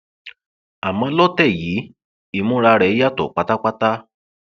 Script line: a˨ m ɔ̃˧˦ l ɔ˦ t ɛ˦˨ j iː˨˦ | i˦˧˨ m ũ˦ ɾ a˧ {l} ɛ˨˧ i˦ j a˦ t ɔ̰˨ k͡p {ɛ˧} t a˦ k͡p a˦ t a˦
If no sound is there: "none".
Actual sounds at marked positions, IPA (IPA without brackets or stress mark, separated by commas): ɾ, a˧